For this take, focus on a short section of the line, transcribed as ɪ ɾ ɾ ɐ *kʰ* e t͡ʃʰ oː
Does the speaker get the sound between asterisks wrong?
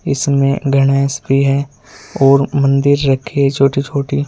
no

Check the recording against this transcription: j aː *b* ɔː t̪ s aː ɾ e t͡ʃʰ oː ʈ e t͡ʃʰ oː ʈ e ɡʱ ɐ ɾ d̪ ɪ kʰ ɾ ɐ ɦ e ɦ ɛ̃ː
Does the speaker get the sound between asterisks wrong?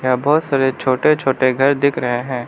no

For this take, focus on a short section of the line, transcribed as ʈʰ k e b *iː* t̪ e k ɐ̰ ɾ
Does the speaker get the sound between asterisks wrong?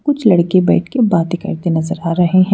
yes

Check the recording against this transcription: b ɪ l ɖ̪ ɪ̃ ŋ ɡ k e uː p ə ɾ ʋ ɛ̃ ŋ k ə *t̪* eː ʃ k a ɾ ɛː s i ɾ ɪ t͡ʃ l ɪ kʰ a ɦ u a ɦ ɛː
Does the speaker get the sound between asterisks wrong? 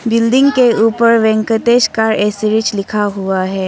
no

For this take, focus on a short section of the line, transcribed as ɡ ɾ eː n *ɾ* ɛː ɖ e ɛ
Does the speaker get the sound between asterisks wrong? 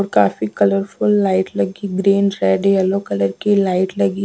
no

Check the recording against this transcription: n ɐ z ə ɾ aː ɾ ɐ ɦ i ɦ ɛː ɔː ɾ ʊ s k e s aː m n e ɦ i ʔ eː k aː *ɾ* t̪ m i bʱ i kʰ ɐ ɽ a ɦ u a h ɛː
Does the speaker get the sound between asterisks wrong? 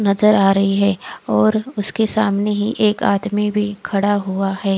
yes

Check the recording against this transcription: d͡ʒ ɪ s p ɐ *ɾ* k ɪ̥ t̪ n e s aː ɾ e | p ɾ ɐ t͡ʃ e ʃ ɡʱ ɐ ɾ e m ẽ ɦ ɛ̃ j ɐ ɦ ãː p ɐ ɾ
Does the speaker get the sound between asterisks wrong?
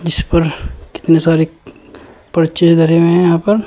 no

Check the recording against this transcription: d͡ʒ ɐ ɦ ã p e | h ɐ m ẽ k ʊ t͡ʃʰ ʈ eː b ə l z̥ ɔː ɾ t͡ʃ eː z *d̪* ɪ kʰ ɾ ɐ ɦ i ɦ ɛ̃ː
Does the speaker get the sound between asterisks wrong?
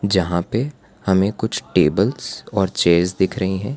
no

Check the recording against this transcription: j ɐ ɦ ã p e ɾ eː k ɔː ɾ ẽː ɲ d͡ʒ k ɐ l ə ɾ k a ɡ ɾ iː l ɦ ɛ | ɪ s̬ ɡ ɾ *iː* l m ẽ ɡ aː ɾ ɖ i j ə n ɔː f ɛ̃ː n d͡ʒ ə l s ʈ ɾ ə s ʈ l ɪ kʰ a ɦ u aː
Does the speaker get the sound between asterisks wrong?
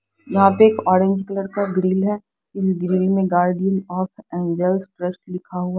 no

